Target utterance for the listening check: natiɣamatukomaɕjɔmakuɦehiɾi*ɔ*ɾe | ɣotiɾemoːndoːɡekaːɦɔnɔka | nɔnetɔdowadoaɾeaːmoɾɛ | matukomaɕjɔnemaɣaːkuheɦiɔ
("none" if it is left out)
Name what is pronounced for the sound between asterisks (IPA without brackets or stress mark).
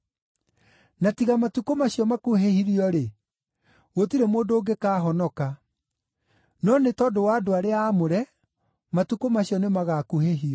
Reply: ɔ